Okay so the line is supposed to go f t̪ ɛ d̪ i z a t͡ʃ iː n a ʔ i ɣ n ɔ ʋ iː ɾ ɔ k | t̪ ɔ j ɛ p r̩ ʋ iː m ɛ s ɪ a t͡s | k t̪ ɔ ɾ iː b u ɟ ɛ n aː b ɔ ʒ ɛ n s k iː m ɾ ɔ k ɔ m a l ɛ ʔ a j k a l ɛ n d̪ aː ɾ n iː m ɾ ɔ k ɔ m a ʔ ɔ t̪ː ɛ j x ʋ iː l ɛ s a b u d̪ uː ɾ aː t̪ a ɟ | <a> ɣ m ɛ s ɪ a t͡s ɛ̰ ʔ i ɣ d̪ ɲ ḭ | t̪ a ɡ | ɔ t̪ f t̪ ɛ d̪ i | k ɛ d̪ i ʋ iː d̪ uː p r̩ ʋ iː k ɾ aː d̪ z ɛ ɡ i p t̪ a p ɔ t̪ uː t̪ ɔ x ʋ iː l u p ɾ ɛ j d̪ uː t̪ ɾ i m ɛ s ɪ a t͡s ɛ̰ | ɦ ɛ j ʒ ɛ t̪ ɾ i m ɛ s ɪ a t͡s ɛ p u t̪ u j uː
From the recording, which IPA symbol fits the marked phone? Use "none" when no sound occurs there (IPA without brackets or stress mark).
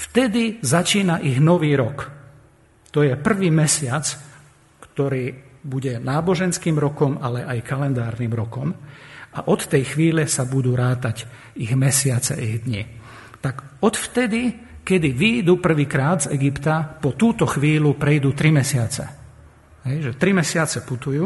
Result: i